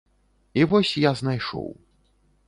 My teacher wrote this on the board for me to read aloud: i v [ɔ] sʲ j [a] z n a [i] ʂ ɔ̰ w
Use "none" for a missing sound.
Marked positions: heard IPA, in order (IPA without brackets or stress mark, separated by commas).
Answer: ɔ, a, j